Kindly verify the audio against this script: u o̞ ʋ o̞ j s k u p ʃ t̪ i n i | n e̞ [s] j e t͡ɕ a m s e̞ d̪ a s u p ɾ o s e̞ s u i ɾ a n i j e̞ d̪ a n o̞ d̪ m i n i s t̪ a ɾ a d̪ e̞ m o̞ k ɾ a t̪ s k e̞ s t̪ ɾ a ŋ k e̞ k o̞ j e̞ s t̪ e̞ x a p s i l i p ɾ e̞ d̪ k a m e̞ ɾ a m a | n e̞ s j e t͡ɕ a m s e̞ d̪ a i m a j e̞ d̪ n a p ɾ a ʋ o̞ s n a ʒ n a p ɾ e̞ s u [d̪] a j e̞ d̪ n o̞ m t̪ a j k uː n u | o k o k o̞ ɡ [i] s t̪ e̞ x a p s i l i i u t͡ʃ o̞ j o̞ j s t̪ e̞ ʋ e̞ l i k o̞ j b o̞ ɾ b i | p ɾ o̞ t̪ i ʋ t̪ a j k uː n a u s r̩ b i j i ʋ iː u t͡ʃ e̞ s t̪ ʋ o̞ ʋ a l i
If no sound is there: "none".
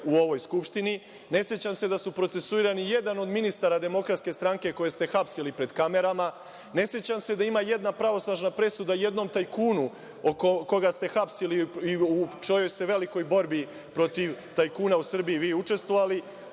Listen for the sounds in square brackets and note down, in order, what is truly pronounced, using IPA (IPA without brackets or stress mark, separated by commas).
s, d̪, a